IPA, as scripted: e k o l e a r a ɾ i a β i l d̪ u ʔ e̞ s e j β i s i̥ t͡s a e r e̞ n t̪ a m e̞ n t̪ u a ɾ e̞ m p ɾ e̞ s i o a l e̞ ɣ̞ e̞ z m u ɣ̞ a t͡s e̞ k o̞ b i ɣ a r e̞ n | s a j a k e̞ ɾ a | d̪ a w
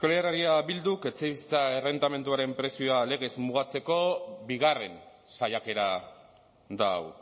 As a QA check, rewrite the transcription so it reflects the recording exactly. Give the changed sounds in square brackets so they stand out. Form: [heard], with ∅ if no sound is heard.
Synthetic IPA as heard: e k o l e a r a ɾ i a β i l d̪ u [k] e̞ [t͡s] e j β i s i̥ t͡s a e r e̞ n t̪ a m e̞ n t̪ u a ɾ e̞ m p ɾ e̞ s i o a l e̞ ɣ̞ e̞ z m u ɣ̞ a t͡s e̞ k o̞ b i ɣ a r e̞ n | s a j a k e̞ ɾ a | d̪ a w